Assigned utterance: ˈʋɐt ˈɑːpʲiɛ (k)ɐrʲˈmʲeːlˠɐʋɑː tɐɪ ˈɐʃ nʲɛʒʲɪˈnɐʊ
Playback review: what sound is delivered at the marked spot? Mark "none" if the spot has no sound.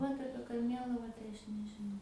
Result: k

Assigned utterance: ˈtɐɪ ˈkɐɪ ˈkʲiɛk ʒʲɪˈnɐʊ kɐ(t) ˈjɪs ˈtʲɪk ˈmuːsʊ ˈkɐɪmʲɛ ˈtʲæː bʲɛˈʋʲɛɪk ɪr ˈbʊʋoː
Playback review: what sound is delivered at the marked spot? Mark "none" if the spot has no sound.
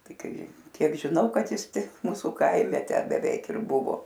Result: t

